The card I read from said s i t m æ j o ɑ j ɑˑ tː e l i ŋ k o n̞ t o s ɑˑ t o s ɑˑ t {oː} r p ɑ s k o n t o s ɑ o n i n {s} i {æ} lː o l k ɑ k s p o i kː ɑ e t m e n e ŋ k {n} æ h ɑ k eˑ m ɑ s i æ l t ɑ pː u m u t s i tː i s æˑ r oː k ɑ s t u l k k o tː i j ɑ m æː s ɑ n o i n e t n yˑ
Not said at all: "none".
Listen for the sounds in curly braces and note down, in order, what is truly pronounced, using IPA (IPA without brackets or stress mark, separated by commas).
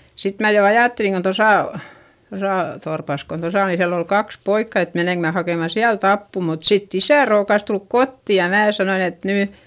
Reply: o, s, æ, m